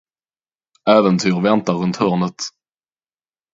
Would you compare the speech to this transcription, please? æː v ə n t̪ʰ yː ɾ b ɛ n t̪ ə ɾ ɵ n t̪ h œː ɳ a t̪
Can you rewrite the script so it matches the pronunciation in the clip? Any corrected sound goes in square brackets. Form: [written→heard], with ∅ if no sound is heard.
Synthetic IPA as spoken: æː v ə n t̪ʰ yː ɾ [b→v] ɛ n t̪ [ə→a] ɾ ɵ n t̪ h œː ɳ [a→ə] t̪